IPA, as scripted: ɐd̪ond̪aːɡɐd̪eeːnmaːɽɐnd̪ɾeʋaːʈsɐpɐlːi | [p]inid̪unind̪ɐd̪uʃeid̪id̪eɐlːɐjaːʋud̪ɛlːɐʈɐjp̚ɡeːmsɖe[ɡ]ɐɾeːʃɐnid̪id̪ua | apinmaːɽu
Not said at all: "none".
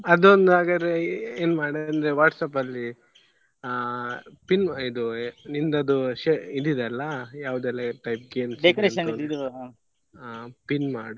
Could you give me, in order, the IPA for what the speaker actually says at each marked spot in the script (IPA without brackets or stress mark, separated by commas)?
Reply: p, k